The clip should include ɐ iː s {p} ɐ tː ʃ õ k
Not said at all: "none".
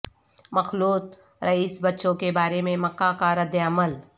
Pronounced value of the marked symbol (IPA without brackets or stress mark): b